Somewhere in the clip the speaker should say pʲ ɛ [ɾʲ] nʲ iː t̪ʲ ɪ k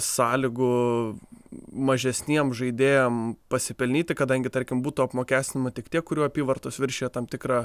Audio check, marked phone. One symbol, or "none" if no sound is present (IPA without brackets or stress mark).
lʲ